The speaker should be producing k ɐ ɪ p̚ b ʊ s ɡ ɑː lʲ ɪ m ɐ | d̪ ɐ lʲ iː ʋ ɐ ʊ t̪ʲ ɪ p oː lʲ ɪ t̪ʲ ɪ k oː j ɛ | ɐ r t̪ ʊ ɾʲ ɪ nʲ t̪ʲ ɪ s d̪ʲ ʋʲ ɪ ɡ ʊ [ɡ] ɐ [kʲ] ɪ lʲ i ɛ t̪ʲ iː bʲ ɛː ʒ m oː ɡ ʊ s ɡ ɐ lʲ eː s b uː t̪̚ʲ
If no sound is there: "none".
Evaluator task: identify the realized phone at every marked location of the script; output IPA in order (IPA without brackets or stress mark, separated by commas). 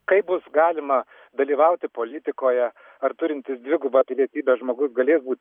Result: b, pʲ